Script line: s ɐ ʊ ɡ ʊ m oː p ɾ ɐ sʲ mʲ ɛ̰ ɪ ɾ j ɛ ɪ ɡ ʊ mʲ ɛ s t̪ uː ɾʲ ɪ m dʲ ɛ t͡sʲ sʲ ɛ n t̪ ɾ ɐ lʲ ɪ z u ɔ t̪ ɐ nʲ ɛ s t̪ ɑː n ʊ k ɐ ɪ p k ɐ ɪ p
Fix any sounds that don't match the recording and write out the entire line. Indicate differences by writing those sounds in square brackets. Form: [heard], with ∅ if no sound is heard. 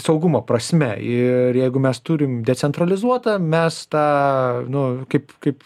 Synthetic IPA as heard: s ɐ ʊ ɡ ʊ m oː p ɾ ɐ sʲ mʲ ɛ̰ ɪ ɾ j ɛ ɪ ɡ ʊ mʲ ɛ s t̪ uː ɾʲ ɪ m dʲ ɛ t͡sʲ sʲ ɛ n t̪ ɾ ɐ lʲ ɪ z u ɔ t̪ ɐ [mʲ] ɛ s t̪ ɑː n ʊ k ɐ ɪ p k ɐ ɪ p